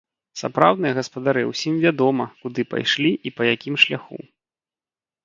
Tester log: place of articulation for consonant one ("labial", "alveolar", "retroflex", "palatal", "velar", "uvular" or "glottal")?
alveolar